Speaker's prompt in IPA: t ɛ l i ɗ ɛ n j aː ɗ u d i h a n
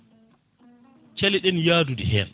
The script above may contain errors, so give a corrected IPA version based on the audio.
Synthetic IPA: t͡ʃ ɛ l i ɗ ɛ n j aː d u d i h ɛ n